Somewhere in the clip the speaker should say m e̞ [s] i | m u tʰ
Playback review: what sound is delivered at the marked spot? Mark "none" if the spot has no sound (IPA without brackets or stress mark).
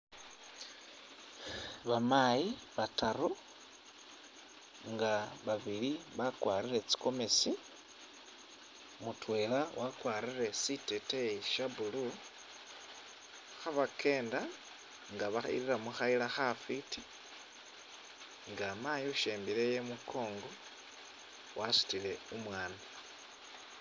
s